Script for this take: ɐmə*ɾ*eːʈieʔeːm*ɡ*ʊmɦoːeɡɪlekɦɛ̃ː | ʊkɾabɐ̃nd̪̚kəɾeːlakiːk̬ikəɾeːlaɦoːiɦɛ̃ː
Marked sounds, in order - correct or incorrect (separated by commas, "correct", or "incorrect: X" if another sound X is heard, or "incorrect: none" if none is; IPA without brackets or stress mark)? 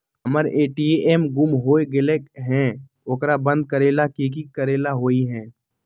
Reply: correct, correct